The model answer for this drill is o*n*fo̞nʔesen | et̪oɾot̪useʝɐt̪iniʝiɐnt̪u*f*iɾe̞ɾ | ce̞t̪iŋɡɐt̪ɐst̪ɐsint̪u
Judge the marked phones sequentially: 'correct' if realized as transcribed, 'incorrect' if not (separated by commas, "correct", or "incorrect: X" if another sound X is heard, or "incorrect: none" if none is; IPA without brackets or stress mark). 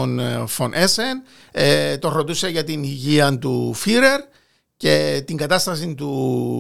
correct, correct